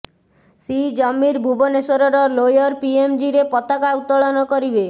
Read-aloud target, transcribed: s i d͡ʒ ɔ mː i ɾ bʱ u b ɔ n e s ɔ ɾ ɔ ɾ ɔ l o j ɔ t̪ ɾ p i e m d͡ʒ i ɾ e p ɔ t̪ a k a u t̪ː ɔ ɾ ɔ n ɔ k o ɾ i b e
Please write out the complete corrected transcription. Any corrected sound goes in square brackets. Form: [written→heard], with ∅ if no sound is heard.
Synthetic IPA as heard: s i d͡ʒ ɔ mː i ɾ bʱ u b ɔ n e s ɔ ɾ ɔ ɾ ɔ l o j ɔ [t̪→∅] ɾ p i e m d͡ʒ i ɾ e p ɔ t̪ a k a u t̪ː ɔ [ɾ→ɭ] ɔ n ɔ k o ɾ i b e